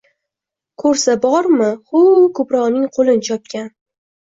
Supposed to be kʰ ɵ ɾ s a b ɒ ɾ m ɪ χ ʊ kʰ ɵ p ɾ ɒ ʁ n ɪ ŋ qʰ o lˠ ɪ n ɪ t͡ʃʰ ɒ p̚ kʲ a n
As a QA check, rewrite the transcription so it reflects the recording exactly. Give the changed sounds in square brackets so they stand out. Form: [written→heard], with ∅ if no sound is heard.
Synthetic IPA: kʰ ɵ ɾ s a b ɒ ɾ m ɪ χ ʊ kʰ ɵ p ɾ ɒ ʁ n ɪ ŋ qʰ o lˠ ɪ n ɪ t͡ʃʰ ɒ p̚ kʲ a n